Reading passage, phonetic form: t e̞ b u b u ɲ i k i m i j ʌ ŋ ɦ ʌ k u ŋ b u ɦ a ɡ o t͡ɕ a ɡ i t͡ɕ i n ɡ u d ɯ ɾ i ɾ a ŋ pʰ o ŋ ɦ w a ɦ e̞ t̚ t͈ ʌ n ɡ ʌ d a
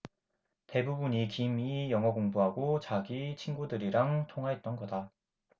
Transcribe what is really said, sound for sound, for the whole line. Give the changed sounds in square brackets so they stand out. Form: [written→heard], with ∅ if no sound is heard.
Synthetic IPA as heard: t e̞ b u b u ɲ i k i m i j ʌ ŋ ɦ ʌ k [u→o] ŋ b u ɦ a ɡ o t͡ɕ a ɡ i [t͡ɕ→t͡ɕʰ] i n ɡ u d ɯ ɾ i ɾ a ŋ [pʰ→tʰ] o ŋ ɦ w a ɦ e̞ t̚ t͈ ʌ n ɡ ʌ d a